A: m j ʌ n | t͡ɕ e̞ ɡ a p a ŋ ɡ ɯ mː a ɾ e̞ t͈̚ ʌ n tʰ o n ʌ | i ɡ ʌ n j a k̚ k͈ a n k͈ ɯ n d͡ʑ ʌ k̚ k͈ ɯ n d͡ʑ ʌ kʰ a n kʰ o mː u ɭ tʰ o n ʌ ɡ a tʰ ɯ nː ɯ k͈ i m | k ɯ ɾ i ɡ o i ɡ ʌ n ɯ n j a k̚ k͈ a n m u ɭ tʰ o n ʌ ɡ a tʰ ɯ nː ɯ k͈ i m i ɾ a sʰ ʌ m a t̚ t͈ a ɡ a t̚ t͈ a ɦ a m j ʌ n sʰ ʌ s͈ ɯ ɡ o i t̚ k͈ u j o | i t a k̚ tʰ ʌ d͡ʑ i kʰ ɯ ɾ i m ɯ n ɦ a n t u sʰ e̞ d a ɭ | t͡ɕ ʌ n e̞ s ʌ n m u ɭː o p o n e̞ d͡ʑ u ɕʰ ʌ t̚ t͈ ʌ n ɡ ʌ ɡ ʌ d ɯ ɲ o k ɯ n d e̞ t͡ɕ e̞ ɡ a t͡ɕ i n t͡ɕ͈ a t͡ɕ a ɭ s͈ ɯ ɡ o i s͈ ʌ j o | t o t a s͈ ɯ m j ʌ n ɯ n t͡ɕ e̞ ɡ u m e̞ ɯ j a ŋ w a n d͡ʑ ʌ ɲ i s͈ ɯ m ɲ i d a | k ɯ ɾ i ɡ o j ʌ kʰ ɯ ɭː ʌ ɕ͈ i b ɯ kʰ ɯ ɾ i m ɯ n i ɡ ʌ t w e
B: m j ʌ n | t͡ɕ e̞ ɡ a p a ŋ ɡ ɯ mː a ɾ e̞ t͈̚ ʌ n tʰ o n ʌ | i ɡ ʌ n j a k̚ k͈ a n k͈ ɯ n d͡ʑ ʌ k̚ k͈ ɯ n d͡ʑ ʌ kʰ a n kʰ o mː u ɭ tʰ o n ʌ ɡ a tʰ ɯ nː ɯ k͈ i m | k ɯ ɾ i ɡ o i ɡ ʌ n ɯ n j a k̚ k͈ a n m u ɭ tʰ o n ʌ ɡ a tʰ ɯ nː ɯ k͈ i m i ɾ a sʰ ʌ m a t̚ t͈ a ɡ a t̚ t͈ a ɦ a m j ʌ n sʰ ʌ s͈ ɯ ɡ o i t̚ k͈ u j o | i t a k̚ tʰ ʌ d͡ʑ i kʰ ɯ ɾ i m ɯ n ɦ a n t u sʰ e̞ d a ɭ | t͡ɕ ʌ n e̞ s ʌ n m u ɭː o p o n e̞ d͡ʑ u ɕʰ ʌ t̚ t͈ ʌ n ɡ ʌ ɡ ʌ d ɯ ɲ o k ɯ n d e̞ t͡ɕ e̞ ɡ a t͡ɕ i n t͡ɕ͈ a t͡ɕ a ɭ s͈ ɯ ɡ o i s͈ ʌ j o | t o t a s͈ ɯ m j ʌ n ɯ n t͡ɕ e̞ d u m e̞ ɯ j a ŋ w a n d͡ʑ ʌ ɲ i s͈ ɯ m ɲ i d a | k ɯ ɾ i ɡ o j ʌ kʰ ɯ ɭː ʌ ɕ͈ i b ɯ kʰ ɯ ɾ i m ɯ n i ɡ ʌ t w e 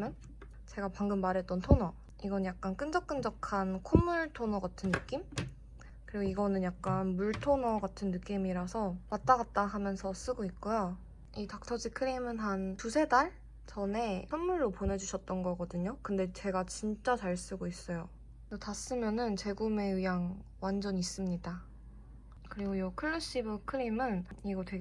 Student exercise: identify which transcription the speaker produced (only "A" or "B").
A